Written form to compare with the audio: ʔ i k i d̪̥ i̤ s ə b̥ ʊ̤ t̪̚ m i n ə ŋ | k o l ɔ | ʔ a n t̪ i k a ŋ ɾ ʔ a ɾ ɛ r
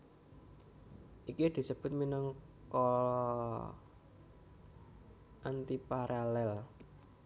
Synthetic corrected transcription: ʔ i k i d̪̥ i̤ s ə b̥ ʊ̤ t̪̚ m i n ə ŋ | k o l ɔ | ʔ a n t̪ i p a ɾ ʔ a l ɛ l